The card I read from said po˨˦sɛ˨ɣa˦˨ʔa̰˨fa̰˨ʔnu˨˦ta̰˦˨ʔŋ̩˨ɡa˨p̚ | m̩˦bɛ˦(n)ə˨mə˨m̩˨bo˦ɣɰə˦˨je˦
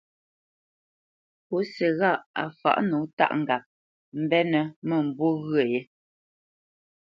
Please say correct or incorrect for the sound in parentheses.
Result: correct